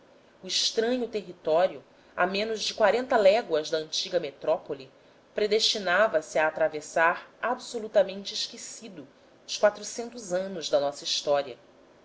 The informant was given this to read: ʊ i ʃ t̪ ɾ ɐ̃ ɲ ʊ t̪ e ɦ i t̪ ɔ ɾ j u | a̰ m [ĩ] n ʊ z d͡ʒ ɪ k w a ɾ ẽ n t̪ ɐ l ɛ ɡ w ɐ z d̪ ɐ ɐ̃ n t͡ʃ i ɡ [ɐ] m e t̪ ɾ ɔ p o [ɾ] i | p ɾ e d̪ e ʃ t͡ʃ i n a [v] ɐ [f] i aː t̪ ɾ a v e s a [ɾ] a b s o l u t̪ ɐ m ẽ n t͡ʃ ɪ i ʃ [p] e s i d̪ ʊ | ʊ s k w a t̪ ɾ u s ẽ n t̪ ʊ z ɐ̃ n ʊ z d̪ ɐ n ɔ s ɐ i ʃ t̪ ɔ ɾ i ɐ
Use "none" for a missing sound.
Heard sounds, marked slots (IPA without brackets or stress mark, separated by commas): ẽ, ɐ, l, v, s, ɾ, k